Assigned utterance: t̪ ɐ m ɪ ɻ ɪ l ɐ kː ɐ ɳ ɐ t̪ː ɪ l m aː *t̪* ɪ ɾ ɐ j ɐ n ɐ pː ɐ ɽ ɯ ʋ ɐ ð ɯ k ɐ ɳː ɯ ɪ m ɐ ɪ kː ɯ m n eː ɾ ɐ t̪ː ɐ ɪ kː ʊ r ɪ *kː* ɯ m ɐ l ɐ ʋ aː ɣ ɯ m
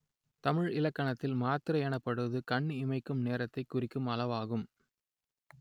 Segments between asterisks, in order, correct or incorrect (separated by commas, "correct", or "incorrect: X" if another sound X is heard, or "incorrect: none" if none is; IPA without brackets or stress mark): correct, correct